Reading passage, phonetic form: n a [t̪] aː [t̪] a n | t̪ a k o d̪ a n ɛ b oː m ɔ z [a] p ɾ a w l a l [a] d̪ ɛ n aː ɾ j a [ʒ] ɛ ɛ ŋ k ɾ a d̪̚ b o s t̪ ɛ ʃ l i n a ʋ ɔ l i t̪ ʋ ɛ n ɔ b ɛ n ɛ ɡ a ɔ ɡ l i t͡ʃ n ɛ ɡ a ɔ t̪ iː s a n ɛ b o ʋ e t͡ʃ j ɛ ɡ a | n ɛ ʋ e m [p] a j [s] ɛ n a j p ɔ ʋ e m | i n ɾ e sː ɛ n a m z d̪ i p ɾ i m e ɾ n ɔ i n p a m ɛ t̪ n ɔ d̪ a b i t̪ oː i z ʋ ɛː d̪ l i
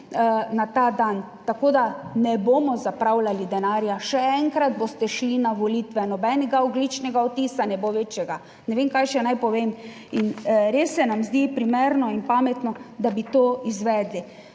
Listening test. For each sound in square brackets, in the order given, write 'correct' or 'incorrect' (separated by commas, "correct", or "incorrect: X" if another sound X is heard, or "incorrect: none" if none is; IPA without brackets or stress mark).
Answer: correct, incorrect: d̪, correct, incorrect: i, incorrect: ʃ, incorrect: k, incorrect: ʃ